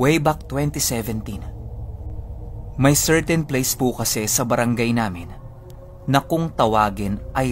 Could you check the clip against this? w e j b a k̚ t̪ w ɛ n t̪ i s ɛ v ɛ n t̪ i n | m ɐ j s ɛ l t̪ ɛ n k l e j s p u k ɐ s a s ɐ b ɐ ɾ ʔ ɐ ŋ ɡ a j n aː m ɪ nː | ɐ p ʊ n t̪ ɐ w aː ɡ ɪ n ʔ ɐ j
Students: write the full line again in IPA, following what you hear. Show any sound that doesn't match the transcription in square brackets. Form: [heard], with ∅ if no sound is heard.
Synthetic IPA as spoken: w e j b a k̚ t̪ w ɛ n t̪ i s ɛ v ɛ n t̪ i n | m ɐ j s ɛ [ɹ] t̪ ɛ n [p] l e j s p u k ɐ s [ɛ] s ɐ b ɐ ɾ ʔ ɐ ŋ ɡ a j n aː m ɪ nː | ɐ [k] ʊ [ŋ] t̪ ɐ w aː ɡ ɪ n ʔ ɐ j